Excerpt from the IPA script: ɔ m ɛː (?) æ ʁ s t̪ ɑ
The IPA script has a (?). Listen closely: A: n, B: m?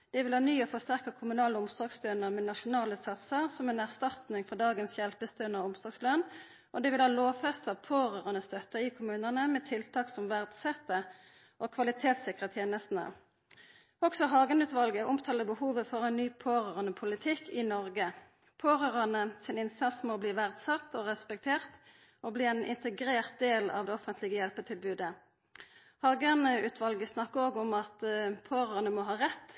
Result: A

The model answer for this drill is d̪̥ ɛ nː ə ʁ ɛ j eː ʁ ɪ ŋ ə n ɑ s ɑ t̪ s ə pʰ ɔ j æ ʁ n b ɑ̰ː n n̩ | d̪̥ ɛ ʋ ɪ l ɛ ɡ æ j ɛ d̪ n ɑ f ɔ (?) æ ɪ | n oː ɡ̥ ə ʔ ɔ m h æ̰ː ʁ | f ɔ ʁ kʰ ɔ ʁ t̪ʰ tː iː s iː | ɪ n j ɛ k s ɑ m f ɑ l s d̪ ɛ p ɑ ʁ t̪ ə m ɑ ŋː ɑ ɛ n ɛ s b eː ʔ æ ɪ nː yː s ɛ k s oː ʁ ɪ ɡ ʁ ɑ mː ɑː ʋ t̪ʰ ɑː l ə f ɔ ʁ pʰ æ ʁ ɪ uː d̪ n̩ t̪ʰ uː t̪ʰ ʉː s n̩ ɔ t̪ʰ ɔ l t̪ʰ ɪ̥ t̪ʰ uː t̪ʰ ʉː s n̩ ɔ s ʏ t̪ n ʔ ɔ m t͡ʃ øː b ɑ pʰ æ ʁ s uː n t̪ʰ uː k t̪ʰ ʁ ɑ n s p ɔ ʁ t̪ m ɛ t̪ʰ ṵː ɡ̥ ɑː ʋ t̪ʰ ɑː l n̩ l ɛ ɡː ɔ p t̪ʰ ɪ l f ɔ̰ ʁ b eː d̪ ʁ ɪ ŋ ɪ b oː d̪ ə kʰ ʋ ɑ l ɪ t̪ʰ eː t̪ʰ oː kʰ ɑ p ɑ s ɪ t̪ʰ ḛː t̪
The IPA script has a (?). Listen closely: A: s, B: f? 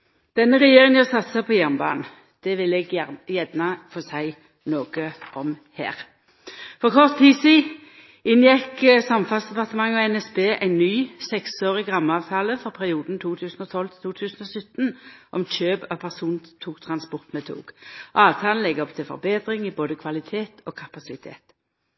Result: A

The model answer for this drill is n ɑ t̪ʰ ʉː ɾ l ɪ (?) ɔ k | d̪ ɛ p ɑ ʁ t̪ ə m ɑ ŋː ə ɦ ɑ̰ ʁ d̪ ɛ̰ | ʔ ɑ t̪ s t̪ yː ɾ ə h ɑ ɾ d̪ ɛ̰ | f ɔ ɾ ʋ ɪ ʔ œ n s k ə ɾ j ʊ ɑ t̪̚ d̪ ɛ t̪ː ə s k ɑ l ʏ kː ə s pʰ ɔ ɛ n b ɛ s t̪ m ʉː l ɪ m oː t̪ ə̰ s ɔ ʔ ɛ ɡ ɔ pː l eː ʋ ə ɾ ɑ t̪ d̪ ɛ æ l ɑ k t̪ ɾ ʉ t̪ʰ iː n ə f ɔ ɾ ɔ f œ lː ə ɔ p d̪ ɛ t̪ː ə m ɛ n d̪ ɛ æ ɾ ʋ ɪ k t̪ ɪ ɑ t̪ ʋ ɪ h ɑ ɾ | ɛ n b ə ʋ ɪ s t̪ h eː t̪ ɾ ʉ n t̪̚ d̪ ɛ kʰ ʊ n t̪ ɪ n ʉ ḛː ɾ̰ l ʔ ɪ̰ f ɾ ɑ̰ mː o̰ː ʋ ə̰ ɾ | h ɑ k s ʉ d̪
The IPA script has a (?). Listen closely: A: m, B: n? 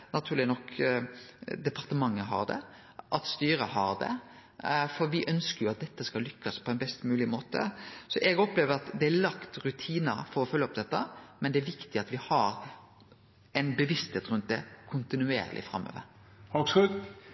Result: B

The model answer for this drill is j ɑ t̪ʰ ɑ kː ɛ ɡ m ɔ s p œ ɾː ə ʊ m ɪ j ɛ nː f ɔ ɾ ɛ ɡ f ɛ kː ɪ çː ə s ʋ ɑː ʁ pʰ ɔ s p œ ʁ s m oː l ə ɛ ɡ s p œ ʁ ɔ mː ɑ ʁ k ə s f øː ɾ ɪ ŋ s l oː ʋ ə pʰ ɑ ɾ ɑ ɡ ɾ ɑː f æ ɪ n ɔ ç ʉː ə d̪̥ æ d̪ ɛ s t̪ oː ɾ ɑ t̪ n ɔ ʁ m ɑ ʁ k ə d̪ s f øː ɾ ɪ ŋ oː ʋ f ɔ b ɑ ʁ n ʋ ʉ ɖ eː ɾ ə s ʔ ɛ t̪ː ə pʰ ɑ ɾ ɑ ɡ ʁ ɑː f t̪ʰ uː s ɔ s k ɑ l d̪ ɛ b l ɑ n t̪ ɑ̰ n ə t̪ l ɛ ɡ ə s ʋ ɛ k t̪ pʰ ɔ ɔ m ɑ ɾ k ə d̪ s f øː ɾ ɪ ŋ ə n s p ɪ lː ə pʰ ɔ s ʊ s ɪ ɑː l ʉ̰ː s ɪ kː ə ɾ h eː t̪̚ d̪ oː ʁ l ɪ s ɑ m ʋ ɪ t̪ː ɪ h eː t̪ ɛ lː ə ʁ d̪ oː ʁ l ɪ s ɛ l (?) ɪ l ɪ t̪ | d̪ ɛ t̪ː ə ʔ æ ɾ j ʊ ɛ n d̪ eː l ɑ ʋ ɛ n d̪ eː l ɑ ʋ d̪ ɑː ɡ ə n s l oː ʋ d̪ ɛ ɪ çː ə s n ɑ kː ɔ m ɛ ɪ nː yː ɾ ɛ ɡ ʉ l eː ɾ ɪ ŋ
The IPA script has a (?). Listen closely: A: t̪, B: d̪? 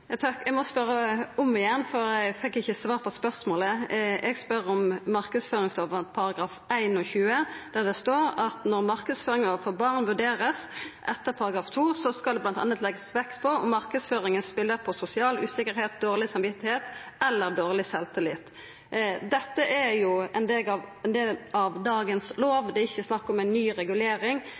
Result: A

